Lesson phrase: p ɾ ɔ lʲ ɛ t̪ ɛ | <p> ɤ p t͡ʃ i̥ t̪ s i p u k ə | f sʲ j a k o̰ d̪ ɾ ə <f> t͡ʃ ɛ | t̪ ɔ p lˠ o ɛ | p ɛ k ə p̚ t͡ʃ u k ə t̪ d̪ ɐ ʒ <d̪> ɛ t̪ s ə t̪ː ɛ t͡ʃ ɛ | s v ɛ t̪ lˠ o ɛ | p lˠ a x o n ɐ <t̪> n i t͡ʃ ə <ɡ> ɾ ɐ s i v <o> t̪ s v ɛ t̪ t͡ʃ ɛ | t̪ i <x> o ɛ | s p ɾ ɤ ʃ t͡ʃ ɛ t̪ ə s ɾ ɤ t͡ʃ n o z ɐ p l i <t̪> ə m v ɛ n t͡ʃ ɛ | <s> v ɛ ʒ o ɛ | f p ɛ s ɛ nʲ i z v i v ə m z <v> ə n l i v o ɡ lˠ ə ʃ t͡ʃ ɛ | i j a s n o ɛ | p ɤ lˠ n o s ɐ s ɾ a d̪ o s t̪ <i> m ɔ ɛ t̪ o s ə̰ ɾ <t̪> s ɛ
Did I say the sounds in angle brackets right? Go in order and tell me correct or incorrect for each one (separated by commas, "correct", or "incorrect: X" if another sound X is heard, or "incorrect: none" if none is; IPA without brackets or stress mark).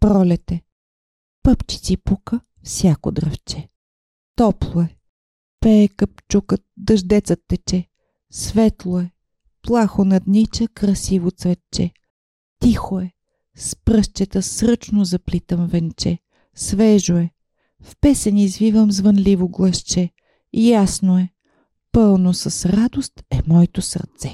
correct, correct, correct, incorrect: d̪, incorrect: k, correct, correct, correct, correct, correct, incorrect: ɛ, correct